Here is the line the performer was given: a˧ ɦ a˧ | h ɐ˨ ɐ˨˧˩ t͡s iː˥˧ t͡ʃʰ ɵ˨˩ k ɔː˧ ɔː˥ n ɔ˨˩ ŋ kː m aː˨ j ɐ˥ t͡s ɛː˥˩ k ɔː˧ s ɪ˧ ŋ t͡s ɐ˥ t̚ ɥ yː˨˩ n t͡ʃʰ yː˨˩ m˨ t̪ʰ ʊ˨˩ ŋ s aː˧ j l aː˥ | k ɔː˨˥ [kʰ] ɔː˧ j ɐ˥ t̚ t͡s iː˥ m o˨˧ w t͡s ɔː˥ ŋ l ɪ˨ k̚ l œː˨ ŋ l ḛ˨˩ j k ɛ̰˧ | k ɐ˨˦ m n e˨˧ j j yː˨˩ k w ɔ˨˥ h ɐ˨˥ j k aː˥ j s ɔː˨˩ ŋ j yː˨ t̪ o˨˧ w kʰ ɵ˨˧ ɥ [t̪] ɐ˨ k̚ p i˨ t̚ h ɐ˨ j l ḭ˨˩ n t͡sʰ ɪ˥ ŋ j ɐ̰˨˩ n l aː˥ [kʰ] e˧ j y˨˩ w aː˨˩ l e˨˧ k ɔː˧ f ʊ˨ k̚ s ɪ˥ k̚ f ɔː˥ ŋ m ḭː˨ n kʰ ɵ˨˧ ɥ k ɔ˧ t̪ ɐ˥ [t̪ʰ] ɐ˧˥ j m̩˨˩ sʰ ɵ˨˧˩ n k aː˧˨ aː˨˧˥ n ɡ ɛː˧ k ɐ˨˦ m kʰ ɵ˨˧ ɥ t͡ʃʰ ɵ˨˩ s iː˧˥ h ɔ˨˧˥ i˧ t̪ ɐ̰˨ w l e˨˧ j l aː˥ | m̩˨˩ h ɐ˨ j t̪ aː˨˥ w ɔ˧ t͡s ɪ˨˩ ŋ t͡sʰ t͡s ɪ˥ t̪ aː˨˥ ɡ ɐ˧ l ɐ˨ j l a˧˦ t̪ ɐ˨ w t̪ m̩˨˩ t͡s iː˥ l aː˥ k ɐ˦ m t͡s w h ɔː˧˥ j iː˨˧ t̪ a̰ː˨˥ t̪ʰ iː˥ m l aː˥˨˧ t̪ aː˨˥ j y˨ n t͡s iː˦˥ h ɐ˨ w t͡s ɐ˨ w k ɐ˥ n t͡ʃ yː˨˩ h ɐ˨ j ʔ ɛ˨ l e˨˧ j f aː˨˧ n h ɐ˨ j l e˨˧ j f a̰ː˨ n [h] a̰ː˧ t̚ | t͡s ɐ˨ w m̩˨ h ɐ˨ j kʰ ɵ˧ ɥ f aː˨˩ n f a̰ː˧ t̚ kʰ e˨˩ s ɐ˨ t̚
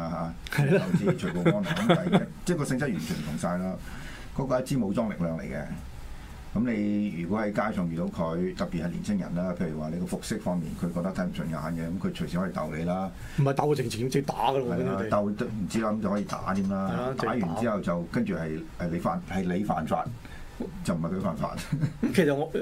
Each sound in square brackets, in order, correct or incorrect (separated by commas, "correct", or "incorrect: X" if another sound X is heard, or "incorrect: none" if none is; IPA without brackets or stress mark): incorrect: k, correct, incorrect: pʰ, correct, incorrect: f